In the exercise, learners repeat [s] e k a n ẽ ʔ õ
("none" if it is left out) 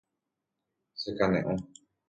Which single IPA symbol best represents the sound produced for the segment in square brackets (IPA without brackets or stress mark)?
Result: s